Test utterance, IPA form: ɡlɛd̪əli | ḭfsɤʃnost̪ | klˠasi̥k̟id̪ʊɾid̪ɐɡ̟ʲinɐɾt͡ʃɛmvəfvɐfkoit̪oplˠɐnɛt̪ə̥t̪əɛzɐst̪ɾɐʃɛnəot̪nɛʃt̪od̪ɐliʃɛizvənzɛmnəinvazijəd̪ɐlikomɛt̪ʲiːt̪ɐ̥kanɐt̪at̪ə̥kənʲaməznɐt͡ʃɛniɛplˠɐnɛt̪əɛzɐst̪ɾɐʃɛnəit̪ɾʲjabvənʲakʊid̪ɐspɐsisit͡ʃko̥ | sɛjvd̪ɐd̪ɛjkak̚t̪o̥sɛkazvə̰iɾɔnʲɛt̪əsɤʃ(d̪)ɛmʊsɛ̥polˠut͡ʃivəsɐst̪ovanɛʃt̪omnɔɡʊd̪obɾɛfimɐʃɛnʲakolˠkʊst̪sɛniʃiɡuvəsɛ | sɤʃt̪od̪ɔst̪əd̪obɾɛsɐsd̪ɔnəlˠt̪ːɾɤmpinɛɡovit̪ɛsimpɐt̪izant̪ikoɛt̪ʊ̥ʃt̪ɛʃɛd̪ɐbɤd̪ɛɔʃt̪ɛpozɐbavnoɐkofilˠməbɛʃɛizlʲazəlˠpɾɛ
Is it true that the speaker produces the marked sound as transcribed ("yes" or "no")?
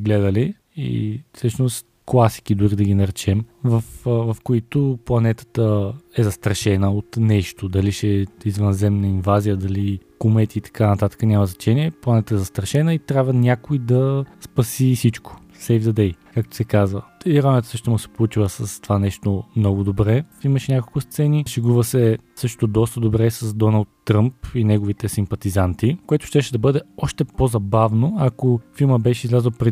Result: no